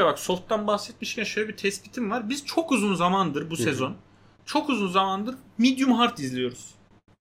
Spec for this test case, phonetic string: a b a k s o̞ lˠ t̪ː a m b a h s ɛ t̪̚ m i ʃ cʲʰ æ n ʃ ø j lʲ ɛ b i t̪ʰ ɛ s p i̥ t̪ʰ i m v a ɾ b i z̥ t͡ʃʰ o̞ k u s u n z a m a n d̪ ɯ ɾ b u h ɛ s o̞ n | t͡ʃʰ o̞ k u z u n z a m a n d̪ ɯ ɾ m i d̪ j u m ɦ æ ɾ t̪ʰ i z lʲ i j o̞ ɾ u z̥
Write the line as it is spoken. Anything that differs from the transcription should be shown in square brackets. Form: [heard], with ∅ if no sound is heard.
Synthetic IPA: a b a k s o̞ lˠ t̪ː a [n] b a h s ɛ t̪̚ m i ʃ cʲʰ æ n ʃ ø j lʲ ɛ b i t̪ʰ ɛ s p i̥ t̪ʰ i m v a ɾ b i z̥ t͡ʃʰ o̞ k u [z] u n z a m a n d̪ ɯ ɾ b u [s] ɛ [z] o̞ n | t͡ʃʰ o̞ k u z u n z a m a n d̪ ɯ ɾ m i d̪ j u m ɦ [a] ɾ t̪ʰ i z lʲ i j o̞ ɾ u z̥